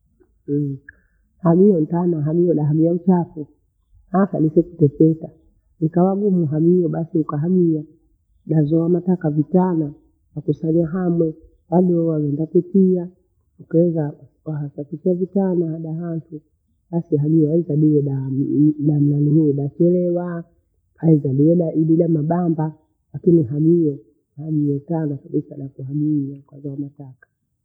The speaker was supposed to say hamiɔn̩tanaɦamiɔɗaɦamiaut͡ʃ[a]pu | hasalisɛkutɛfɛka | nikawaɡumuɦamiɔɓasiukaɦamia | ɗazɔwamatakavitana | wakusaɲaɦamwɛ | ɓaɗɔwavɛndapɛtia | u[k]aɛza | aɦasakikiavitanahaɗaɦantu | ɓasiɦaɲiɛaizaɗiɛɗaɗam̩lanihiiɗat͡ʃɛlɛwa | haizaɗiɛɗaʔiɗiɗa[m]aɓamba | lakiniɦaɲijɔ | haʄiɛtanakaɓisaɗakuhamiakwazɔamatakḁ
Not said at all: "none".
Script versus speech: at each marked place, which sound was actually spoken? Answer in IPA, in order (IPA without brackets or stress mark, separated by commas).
a, k, m